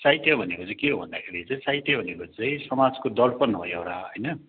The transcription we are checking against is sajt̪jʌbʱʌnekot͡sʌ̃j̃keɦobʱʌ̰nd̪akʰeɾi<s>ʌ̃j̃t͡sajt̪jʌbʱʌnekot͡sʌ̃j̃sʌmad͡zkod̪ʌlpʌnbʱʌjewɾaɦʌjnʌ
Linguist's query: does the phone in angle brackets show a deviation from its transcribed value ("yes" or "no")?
yes